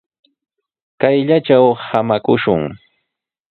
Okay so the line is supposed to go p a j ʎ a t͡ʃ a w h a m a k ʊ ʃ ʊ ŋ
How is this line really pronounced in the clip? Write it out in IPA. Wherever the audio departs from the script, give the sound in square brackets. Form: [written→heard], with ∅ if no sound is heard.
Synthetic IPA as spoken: [p→k] a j ʎ a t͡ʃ a w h a m a k ʊ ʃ ʊ ŋ